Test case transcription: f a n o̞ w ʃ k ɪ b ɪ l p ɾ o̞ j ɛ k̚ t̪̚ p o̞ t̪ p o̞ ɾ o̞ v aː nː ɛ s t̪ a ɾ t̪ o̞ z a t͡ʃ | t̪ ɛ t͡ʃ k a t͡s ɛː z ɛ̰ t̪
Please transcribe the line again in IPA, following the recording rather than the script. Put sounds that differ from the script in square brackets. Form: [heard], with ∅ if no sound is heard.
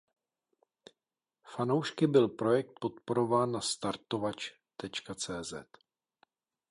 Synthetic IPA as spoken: f a n o̞ w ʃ k ɪ b ɪ l p ɾ o̞ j ɛ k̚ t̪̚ p o̞ t̪ p o̞ ɾ o̞ v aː nː [a] s t̪ a ɾ t̪ o̞ [v] a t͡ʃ | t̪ ɛ t͡ʃ k a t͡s ɛː z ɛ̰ t̪